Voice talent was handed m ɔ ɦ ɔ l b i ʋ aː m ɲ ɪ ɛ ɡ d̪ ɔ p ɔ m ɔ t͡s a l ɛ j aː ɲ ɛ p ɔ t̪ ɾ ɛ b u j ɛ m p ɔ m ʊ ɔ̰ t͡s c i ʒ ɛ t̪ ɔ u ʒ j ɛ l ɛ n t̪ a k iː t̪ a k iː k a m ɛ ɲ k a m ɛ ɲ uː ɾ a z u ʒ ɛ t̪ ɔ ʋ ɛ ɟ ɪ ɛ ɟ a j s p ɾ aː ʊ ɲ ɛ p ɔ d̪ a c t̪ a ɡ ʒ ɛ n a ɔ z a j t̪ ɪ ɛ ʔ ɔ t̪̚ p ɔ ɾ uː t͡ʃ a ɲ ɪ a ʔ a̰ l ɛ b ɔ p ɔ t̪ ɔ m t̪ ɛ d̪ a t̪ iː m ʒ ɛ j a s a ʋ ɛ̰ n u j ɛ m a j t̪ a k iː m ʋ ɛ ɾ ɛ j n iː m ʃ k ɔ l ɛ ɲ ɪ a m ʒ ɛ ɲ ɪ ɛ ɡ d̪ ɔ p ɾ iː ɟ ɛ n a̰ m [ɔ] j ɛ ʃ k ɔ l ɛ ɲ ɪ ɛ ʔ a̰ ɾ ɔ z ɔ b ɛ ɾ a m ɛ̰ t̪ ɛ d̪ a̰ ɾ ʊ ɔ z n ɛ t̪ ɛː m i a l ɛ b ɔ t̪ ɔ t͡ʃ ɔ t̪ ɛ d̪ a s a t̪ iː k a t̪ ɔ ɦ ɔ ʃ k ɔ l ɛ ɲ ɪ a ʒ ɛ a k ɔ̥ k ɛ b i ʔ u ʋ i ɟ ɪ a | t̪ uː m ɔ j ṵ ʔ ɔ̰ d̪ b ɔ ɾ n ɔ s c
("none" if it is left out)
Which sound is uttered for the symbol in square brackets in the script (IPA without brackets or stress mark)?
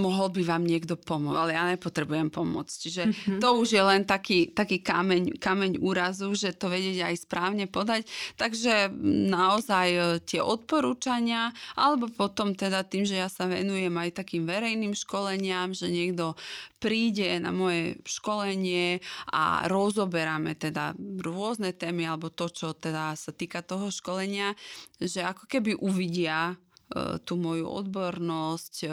ɔ